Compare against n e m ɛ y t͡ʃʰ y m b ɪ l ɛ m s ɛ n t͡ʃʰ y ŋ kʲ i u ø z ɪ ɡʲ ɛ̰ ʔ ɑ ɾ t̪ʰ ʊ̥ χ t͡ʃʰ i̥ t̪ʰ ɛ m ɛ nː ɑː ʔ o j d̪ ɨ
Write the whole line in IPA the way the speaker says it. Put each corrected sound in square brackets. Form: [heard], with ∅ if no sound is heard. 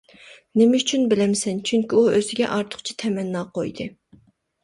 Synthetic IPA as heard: n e m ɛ y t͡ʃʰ y [n] b ɪ l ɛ m s ɛ n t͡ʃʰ y ŋ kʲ i u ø z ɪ ɡʲ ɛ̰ ʔ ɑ ɾ t̪ʰ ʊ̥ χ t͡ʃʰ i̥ t̪ʰ ɛ m ɛ nː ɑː [q] o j d̪ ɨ